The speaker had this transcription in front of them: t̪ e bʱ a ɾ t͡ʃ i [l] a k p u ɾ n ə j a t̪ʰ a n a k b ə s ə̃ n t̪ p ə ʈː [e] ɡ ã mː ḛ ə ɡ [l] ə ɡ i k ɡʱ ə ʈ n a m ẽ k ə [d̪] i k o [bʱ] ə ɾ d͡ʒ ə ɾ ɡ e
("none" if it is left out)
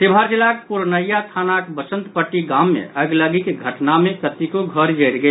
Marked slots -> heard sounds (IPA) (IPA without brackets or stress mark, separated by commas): l, i, l, t̪, ɡʱ